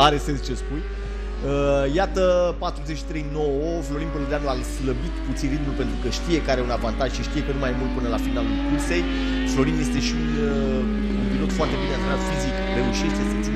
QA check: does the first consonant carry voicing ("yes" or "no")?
yes